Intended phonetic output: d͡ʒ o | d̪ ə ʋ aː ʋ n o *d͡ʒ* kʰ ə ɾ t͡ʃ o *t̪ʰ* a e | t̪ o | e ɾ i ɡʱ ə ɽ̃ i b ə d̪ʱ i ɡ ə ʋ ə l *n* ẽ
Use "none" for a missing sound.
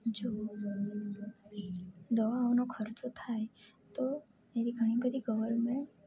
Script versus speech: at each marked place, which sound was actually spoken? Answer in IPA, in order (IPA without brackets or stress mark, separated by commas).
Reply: none, t̪ʰ, m